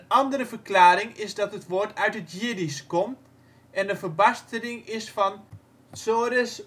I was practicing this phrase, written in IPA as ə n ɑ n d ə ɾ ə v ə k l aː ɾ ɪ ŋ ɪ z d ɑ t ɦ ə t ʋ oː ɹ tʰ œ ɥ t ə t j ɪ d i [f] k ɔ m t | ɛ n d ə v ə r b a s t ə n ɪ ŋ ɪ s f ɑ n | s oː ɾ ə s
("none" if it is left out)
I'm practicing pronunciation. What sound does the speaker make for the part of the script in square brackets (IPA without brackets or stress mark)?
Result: s